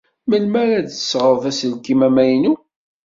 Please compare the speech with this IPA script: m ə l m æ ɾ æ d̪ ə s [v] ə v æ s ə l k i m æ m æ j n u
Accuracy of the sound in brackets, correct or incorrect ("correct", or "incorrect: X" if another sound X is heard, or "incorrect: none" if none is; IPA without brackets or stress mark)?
incorrect: ʁ